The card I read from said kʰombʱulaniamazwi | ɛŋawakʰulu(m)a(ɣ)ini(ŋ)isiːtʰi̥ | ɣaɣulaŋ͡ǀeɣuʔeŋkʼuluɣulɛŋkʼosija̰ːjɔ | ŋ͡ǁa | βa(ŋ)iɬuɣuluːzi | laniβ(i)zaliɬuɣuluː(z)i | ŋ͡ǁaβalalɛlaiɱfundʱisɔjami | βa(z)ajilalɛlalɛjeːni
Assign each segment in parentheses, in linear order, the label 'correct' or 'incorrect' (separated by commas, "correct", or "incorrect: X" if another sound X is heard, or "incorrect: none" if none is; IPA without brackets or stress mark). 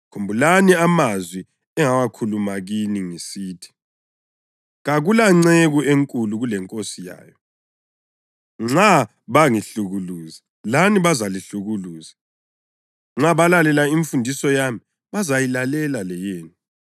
correct, correct, correct, correct, incorrect: a, correct, correct